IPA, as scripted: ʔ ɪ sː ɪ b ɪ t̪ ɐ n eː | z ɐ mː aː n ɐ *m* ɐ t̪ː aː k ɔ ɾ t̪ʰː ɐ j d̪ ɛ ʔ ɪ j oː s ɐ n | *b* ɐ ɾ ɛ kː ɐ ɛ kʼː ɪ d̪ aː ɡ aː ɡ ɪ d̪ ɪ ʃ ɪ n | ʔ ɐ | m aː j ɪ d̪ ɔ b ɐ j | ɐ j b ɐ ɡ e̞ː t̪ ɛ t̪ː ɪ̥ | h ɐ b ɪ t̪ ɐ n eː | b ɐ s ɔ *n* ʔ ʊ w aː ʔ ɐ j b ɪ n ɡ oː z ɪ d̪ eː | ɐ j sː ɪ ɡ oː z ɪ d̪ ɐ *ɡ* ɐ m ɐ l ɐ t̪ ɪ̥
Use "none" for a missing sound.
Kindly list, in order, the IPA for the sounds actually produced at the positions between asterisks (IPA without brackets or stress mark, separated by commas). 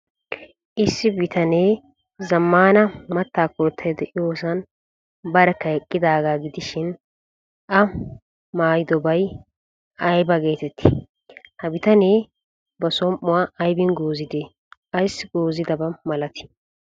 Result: m, b, m, b